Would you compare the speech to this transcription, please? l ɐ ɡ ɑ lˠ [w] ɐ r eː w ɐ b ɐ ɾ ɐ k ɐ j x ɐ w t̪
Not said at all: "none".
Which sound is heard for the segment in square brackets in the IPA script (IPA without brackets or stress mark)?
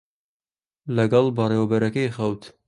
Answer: b